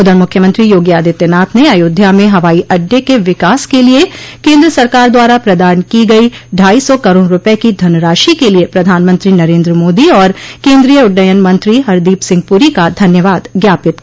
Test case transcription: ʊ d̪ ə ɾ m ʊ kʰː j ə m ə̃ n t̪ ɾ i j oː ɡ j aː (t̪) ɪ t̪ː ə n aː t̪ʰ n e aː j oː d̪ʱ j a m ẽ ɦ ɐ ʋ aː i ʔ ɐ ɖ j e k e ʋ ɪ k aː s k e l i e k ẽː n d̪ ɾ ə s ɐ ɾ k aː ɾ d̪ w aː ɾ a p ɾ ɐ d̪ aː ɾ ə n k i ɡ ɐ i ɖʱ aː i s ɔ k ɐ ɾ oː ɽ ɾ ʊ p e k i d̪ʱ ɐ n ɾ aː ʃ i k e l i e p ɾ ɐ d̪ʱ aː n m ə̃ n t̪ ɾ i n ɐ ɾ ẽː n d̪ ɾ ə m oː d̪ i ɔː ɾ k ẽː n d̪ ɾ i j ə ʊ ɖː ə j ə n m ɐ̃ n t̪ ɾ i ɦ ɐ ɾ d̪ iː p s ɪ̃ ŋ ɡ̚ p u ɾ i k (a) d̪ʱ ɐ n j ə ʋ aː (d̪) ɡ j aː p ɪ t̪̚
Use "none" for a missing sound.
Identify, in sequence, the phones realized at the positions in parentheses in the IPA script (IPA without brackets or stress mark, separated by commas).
d̪, a, d̪